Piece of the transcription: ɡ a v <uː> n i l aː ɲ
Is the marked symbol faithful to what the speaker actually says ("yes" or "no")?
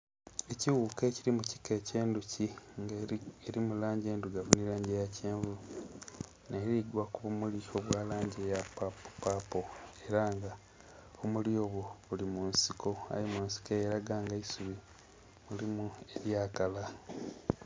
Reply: no